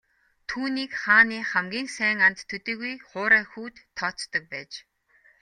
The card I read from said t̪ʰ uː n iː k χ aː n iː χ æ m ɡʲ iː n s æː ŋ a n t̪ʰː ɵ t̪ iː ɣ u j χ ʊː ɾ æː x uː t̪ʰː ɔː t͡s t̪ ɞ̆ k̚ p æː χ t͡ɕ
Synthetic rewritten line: t̪ʰ uː n iː k χ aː n iː χ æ m ɡʲ iː ŋ s æː ŋ a n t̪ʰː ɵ t̪ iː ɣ u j χ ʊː ɾ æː x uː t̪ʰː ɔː t͡s t̪ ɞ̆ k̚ p æː t͡ɕ